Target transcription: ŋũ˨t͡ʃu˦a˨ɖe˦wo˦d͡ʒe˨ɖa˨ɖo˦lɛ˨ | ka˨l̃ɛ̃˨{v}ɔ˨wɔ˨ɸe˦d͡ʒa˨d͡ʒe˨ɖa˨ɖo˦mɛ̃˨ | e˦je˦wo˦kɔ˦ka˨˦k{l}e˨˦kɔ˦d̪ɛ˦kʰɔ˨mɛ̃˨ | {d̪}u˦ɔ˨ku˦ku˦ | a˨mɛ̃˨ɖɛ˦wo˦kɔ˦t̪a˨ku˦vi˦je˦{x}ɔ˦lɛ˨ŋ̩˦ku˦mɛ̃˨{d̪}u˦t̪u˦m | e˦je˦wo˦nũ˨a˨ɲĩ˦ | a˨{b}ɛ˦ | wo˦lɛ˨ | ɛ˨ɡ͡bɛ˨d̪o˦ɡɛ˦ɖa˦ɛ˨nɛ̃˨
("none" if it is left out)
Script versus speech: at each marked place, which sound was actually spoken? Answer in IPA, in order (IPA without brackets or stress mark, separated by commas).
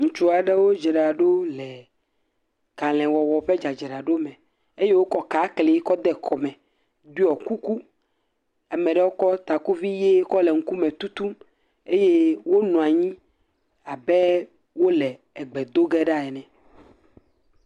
w, l, d̪, k, t̪, b